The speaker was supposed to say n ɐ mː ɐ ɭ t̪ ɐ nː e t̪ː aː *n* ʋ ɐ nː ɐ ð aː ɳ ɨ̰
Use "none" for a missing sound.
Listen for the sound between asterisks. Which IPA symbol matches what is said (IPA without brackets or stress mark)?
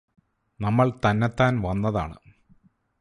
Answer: n